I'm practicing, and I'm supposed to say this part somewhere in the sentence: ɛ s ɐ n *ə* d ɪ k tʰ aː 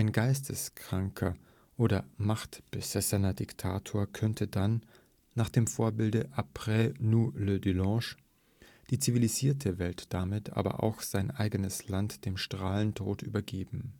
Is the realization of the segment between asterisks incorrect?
yes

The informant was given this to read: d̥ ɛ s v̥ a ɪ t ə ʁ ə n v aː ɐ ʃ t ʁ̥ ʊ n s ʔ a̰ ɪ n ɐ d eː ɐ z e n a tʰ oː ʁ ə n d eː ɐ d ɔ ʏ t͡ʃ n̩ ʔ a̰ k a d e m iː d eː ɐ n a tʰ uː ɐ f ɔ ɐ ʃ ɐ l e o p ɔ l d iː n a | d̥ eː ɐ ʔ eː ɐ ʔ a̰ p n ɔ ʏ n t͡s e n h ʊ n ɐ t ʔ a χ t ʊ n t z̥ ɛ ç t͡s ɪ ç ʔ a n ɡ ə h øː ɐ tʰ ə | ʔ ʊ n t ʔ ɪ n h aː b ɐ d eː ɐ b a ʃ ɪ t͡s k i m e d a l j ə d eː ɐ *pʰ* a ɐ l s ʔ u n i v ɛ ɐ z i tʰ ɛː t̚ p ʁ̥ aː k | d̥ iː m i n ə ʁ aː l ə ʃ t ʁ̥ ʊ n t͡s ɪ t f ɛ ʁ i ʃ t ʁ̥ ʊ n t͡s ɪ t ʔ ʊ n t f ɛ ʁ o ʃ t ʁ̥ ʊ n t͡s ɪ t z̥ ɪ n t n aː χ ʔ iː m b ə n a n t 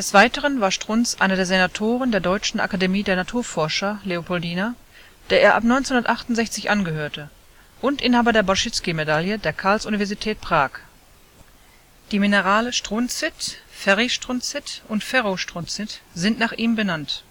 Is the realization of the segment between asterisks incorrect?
yes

